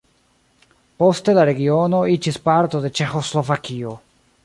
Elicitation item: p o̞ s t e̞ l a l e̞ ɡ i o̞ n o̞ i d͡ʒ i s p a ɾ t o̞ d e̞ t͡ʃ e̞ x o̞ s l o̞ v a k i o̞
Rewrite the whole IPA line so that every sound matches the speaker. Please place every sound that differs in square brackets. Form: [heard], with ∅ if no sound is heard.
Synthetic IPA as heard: p o̞ s t e̞ l a [ɾ] e̞ ɡ i o̞ n o̞ i d͡ʒ i s p a ɾ t o̞ d e̞ t͡ʃ e̞ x o̞ s l o̞ v a k i o̞